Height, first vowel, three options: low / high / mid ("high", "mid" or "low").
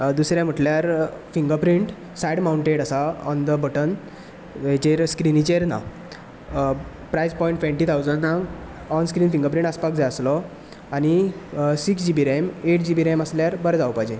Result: high